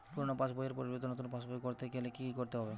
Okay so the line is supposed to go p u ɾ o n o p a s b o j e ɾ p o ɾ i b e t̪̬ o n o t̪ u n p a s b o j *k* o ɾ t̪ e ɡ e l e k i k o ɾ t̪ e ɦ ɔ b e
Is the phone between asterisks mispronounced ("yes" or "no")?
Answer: no